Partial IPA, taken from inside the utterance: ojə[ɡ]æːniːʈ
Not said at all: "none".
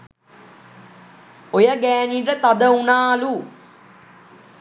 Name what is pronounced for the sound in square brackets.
ɡ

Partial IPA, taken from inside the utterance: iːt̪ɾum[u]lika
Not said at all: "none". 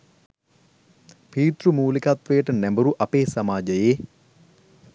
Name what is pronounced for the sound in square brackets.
uː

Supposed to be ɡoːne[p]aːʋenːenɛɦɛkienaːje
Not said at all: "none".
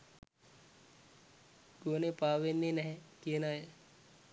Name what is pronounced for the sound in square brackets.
p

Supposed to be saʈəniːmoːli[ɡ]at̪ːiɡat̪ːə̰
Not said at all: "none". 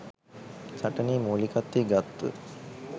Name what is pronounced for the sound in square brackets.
k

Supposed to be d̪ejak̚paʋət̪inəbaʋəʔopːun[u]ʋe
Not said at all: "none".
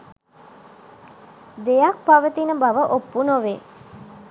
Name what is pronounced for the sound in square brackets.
o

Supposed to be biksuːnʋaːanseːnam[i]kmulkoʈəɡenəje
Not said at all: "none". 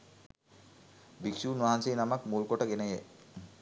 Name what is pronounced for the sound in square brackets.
a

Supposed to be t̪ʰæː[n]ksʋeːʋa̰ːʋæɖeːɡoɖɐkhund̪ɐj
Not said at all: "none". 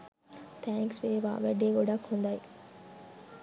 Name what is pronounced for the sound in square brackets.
ŋ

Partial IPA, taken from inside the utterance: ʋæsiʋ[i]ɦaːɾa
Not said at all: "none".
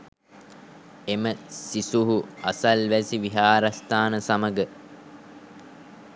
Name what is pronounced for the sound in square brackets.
i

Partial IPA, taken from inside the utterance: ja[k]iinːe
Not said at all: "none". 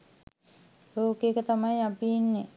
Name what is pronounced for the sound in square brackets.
p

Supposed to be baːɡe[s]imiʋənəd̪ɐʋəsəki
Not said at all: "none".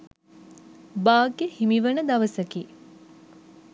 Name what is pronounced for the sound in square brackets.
h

